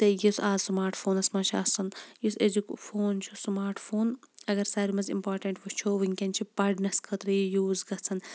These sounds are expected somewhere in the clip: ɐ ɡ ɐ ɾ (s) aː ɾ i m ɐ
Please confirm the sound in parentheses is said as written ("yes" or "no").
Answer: yes